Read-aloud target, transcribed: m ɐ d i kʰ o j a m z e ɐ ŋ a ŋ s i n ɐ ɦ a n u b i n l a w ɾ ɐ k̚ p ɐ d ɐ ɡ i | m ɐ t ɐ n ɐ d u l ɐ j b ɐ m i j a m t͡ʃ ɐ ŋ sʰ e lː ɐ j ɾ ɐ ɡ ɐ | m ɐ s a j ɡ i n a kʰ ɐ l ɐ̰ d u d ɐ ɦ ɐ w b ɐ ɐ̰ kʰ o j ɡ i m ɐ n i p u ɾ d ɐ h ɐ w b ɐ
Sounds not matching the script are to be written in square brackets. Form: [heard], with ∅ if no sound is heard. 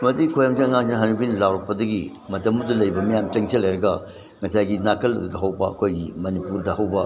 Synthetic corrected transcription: m ɐ d i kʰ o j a m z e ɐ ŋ a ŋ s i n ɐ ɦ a n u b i n l a w ɾ ɐ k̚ p ɐ d ɐ ɡ i | m ɐ t ɐ [m] ɐ d u l ɐ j b ɐ m i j a m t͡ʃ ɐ ŋ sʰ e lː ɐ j ɾ ɐ ɡ ɐ | [ŋ] ɐ s a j ɡ i n a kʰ ɐ l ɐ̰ d u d ɐ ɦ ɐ w b ɐ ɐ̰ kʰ o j ɡ i m ɐ n i p u ɾ d ɐ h ɐ w b ɐ